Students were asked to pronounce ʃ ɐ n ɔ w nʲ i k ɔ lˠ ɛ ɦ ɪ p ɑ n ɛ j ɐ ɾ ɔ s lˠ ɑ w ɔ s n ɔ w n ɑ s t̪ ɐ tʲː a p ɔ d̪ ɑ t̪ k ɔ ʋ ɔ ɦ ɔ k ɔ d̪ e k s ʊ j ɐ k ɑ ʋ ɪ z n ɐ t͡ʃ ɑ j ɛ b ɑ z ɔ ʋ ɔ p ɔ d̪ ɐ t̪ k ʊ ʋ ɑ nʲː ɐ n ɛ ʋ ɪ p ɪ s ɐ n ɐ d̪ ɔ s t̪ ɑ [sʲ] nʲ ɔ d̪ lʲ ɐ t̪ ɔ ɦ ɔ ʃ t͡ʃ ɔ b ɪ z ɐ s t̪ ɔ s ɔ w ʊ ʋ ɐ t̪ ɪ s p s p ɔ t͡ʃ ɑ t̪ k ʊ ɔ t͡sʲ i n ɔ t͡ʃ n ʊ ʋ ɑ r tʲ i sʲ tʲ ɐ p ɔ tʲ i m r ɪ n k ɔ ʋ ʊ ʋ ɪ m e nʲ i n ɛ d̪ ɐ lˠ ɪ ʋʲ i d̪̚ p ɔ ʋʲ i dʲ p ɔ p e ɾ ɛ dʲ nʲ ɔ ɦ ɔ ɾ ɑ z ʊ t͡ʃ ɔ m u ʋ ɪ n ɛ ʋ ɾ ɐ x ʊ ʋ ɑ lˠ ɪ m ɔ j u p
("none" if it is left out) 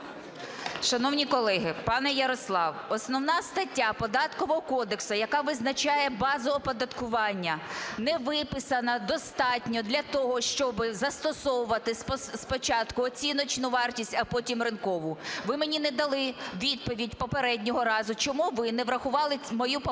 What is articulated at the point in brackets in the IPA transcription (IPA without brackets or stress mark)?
tʲ